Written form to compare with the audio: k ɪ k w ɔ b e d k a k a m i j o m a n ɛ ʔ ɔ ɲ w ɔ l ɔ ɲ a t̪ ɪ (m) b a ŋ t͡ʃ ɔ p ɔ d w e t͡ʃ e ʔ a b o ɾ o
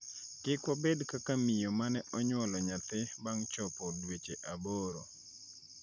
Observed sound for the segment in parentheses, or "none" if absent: none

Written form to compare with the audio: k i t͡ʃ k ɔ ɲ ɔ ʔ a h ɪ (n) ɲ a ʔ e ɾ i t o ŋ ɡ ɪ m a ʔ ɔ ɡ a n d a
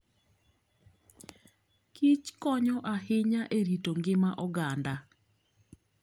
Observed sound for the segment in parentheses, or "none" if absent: none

